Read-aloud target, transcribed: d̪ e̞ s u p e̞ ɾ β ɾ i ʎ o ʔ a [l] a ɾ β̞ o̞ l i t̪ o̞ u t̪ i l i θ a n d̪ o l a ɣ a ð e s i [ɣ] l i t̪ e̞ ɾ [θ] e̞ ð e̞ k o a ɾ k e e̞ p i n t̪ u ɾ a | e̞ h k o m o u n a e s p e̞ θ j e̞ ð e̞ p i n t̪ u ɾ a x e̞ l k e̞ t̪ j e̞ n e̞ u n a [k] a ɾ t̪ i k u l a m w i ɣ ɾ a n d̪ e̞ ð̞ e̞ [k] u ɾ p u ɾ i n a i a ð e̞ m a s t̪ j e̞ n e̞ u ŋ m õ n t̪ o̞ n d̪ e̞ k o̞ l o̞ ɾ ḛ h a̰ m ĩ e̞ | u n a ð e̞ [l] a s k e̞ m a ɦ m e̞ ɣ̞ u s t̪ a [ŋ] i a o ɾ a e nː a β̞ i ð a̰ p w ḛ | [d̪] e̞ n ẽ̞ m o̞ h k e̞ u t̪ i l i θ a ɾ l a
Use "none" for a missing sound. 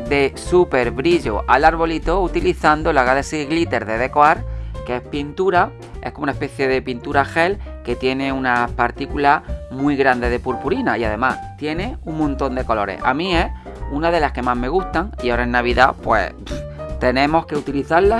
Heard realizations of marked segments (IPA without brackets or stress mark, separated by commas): l, ɣ, ð, p, p, l, ŋ, t̪